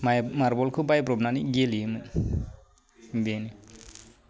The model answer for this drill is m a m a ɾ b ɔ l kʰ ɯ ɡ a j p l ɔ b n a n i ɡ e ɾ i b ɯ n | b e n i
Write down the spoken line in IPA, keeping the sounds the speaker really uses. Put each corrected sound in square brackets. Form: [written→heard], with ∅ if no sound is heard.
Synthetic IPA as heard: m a m a ɾ b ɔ l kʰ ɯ [ɡ→b] a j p [l→ɾ] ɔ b n a n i ɡ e [ɾ→l] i [b→m] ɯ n | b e n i